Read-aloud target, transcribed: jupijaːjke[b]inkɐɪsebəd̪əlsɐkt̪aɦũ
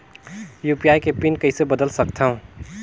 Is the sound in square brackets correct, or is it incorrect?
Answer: incorrect